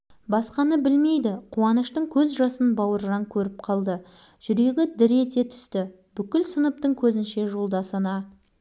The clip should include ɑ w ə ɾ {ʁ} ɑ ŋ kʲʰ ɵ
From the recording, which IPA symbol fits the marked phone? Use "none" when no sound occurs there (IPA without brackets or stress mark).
ʒ